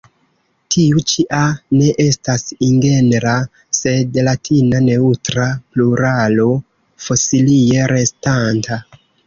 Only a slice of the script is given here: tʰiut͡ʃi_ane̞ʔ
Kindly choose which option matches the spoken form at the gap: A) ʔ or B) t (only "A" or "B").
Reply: A